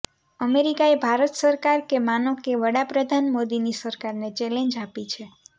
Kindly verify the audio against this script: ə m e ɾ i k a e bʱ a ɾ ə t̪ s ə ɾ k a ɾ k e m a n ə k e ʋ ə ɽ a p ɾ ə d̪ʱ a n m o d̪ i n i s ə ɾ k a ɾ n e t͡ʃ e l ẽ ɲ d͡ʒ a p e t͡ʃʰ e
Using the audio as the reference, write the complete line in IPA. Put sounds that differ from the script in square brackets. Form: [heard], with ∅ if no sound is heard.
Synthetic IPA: ə m e ɾ i k a e bʱ a ɾ ə t̪ s ə ɾ k a ɾ k e m a n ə k e ʋ ə ɽ a p ɾ ə d̪ʱ a n m o d̪ i n i s ə ɾ k a ɾ n e t͡ʃ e l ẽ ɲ d͡ʒ a p [i] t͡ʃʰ e